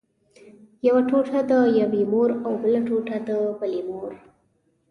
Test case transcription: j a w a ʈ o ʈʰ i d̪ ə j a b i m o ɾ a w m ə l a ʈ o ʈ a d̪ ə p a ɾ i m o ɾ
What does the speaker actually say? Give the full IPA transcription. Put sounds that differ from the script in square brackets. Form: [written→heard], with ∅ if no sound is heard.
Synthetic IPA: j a w a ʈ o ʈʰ [i→a] d̪ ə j a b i m o ɾ a w [m→b] ə l a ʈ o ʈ a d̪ ə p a [ɾ→l] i m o ɾ